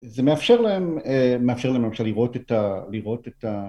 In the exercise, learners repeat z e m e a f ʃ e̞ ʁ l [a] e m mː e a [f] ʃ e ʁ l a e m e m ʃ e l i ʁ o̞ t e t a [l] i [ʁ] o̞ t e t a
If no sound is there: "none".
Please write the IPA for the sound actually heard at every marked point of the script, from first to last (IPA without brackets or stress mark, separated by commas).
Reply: a, f, l, ʁ